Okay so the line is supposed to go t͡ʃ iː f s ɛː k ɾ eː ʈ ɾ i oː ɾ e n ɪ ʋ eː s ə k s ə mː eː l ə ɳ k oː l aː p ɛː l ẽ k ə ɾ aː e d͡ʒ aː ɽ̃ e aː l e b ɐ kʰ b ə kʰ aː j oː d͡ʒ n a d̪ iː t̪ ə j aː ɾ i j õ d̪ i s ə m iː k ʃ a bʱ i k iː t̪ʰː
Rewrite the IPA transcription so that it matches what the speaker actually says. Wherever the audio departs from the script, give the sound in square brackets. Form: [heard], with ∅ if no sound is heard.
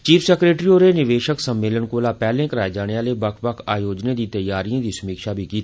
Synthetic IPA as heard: t͡ʃ iː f s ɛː k ɾ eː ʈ ɾ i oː ɾ e n ɪ ʋ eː [ʃ] ə k s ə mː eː l ə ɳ k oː l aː p ɛː l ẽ k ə ɾ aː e d͡ʒ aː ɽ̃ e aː l e b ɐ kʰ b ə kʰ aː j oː d͡ʒ n [e] d̪ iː t̪ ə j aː ɾ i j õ d̪ i s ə m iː k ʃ a bʱ i k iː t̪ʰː